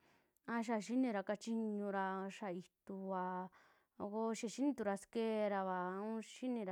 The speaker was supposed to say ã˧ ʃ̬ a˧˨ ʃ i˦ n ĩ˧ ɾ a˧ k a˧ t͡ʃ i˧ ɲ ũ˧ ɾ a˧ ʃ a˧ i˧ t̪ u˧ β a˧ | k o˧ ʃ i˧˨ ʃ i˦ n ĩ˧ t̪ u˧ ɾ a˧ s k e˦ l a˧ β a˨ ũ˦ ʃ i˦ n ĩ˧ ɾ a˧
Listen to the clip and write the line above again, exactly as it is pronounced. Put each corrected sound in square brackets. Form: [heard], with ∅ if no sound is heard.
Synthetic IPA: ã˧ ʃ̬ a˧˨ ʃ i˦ n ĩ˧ ɾ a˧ k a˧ t͡ʃ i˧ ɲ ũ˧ ɾ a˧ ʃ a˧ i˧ t̪ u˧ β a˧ | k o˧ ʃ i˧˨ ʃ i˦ n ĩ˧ t̪ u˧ ɾ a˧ s k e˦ [ɾ] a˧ β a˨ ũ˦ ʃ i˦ n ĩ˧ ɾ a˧